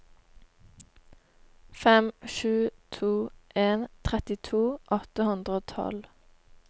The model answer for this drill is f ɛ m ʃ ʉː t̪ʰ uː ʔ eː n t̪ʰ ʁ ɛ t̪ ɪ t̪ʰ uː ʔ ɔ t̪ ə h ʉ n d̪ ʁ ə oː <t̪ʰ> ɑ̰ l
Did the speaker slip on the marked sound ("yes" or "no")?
no